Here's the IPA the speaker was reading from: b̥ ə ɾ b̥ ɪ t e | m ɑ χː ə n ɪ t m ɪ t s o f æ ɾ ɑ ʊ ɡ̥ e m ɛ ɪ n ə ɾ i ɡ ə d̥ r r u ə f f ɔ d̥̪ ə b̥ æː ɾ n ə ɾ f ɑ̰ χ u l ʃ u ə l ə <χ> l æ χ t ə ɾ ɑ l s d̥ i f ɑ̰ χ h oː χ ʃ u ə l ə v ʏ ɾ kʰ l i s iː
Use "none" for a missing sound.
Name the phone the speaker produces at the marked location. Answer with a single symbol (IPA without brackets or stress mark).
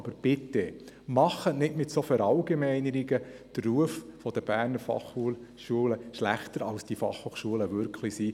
ʃ